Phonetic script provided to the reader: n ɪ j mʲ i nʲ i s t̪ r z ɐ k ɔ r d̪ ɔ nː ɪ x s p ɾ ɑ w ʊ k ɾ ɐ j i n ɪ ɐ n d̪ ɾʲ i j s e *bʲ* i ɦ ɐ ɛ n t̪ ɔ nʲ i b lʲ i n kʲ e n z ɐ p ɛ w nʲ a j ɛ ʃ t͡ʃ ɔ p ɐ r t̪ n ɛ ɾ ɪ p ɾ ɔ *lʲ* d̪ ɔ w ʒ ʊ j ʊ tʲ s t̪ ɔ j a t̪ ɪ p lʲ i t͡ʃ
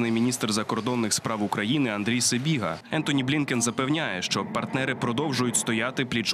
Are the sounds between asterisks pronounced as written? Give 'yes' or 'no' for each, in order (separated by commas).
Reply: yes, no